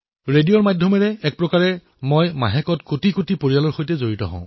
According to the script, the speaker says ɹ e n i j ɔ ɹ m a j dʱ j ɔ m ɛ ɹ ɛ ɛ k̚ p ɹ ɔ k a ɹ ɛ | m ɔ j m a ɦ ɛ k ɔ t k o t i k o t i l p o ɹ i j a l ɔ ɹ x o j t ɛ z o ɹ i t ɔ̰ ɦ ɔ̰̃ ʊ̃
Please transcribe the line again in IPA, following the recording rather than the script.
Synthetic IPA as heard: ɹ e d i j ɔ ɹ m a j dʱ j ɔ m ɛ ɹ ɛ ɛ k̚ p ɹ ɔ k a ɹ ɛ | m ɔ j m a ɦ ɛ k ɔ t k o t i k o t i p o ɹ i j a l ɔ ɹ x o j t ɛ z o ɹ i t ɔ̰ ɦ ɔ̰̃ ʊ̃